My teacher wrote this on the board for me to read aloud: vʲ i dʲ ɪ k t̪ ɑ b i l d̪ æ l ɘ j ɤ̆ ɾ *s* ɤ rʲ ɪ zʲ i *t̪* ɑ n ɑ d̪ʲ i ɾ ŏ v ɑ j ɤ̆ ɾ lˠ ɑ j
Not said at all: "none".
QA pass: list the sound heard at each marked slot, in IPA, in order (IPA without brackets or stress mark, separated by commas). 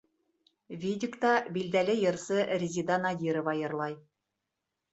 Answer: s, d̪